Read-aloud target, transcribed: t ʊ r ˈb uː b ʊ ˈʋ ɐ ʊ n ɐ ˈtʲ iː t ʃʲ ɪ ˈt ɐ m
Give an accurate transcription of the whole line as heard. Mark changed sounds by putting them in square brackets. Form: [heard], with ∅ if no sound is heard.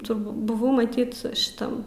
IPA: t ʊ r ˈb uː b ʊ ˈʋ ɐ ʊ [m] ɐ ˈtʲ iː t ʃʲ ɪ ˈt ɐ m